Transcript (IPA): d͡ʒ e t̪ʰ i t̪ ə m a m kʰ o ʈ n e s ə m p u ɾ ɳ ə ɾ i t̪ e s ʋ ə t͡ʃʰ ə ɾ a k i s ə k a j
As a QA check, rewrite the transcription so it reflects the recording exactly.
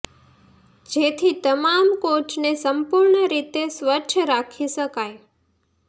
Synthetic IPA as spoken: d͡ʒ e t̪ʰ i t̪ ə m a m k o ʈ n e s ə m p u ɾ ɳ ə ɾ i t̪ e s ʋ ə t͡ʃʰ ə ɾ a kʰ i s ə k a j